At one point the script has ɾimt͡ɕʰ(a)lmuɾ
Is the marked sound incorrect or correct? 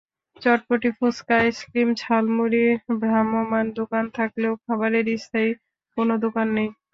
correct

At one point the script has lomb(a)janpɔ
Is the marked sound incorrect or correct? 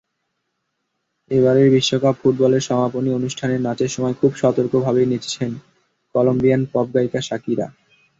incorrect: i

